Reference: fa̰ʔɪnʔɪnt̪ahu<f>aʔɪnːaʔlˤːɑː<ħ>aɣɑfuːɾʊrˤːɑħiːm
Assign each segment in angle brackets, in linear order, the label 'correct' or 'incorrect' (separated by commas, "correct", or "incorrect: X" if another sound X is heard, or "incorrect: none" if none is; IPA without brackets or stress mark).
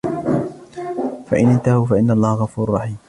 correct, incorrect: h